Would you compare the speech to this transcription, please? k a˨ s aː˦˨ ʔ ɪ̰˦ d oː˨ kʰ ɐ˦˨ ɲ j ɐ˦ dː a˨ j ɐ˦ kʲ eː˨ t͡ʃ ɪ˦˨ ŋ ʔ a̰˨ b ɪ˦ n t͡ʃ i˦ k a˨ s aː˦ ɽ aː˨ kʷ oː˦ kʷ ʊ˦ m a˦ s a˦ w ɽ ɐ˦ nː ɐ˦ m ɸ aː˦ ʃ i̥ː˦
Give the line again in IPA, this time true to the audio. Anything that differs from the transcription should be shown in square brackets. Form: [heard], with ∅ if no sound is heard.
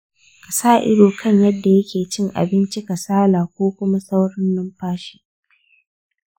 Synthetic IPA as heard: k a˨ s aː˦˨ ʔ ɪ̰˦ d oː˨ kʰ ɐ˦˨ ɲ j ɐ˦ dː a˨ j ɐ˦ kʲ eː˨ t͡ʃ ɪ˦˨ ŋ ʔ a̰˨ b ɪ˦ n t͡ʃ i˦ k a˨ s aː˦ [l] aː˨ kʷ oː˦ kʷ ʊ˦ m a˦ s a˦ w ɽ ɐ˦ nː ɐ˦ m ɸ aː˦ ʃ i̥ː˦